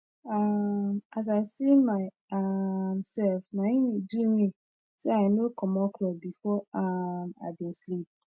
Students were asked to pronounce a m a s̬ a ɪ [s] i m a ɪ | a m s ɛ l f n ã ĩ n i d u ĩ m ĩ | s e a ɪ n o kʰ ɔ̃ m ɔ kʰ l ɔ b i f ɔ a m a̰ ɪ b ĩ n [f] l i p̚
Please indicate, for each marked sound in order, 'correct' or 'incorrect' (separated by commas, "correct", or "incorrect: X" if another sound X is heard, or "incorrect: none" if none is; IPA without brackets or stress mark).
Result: correct, incorrect: s